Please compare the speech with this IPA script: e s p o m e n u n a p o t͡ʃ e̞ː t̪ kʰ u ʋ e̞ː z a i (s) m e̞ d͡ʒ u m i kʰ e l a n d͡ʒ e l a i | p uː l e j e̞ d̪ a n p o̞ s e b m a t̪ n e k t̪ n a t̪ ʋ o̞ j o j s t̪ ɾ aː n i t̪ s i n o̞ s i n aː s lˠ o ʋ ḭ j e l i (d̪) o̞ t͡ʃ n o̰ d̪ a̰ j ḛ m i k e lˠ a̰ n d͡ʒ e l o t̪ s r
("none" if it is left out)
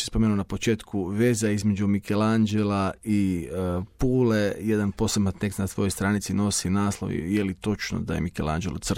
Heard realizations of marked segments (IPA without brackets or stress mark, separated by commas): z, t̪